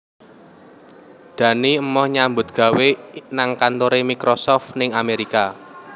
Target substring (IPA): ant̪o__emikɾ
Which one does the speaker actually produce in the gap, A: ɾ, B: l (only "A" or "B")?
A